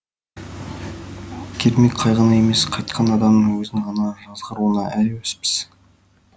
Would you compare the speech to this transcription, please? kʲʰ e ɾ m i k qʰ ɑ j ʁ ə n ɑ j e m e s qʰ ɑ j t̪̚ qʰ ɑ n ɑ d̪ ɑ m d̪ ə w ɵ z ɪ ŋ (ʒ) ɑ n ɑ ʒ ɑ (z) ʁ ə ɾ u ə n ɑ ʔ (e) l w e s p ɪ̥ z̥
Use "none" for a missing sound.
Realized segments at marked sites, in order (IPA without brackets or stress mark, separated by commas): ʁ, z, æ